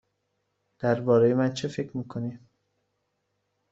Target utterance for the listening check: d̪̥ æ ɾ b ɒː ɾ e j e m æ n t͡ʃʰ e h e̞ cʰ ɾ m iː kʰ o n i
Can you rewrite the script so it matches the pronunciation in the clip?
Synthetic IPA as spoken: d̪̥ æ ɾ b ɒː ɾ e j e m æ n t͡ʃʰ e f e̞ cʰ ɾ m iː kʰ o n i